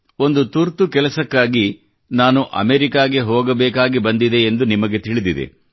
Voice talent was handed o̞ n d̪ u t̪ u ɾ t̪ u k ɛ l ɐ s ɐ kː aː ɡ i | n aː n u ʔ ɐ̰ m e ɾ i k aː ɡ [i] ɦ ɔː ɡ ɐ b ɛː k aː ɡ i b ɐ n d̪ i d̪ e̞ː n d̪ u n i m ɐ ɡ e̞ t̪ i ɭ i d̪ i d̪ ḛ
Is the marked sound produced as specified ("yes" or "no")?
no